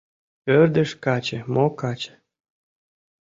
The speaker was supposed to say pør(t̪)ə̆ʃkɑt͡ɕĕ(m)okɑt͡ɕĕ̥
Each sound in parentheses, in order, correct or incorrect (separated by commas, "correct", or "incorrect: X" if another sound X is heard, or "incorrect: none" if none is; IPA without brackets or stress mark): incorrect: d̪, correct